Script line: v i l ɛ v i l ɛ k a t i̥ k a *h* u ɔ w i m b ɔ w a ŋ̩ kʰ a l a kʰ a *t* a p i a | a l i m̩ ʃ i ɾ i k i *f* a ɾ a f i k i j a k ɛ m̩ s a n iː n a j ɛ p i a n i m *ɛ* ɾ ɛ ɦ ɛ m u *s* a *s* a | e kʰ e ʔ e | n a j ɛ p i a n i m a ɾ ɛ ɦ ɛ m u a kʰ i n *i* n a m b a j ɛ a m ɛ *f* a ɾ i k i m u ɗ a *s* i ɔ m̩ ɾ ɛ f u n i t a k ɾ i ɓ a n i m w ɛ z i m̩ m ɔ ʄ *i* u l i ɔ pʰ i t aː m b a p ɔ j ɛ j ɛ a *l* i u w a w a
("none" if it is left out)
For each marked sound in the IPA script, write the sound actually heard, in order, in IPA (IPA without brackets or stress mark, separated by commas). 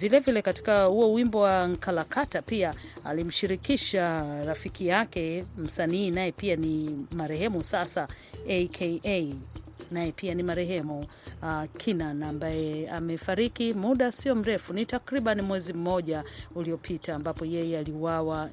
h, t, ʃ, a, s, s, a, f, s, a, l